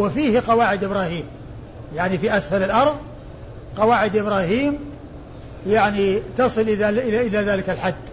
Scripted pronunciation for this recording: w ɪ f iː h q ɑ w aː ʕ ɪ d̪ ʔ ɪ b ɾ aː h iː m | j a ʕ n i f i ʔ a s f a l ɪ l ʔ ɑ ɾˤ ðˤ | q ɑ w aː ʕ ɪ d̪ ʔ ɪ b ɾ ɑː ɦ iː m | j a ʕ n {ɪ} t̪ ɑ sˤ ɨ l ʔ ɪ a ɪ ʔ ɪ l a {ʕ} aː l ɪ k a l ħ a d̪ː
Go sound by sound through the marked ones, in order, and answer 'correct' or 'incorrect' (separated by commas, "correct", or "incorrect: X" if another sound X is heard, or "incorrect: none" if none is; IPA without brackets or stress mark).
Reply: incorrect: i, incorrect: ð